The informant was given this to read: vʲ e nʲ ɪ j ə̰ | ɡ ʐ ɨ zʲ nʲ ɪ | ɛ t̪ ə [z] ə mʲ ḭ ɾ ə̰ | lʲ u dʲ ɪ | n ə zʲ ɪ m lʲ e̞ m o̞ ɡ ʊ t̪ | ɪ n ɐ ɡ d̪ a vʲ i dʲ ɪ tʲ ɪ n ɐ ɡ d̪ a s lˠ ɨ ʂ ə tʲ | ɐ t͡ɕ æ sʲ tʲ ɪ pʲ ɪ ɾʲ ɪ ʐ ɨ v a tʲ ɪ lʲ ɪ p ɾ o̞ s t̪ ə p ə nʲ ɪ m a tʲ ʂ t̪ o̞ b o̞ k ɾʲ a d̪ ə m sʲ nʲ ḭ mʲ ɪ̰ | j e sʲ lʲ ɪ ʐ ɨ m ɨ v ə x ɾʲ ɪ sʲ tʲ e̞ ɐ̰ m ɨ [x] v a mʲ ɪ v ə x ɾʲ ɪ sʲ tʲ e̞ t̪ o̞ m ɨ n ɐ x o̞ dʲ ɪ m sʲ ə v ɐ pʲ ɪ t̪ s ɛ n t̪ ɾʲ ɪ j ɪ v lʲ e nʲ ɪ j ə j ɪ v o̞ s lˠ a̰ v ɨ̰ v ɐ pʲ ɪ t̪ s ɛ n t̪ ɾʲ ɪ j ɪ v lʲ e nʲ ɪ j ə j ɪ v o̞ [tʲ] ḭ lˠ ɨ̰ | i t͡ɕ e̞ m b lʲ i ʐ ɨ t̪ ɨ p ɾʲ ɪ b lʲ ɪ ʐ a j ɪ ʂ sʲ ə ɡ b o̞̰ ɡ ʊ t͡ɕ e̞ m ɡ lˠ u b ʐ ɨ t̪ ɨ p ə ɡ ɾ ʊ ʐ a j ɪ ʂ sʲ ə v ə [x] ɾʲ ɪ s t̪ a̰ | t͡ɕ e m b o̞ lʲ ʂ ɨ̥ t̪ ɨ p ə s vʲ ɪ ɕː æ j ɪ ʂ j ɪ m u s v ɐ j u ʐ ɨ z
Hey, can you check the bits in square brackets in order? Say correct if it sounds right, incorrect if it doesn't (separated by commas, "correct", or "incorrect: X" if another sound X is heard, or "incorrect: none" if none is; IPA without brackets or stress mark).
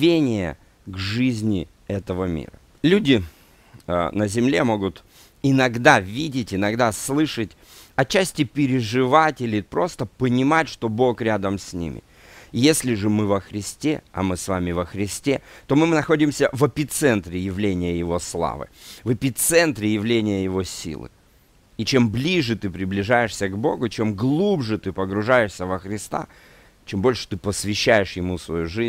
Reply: incorrect: v, incorrect: s, incorrect: sʲ, correct